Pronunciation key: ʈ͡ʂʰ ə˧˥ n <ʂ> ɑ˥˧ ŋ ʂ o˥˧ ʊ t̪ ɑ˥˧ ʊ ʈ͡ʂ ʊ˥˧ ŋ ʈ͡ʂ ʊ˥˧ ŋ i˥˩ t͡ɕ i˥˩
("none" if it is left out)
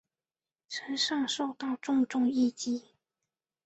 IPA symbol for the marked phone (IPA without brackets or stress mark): ʂ